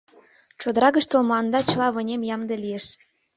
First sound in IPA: t͡ɕ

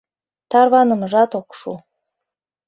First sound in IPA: t̪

